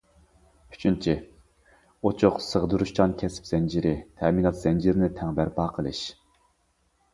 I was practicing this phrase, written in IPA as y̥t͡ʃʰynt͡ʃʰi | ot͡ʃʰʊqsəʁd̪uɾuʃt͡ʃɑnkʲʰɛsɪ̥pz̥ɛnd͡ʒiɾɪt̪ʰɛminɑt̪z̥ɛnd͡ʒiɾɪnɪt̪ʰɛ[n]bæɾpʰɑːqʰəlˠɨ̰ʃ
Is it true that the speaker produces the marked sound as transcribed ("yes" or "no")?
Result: no